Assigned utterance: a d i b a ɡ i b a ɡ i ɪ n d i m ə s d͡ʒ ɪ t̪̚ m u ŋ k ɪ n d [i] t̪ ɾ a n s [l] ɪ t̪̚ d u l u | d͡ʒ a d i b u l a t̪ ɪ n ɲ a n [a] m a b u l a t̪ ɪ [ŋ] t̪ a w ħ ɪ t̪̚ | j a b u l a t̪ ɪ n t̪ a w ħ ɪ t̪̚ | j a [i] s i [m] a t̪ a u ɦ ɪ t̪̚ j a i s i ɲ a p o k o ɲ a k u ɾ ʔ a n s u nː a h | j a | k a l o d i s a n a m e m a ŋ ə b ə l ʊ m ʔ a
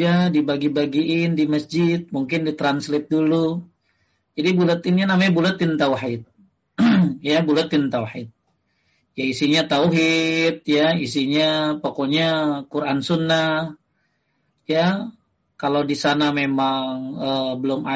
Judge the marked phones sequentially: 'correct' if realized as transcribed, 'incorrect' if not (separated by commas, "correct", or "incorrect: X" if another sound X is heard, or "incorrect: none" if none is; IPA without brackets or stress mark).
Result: correct, correct, correct, incorrect: n, correct, incorrect: ɲ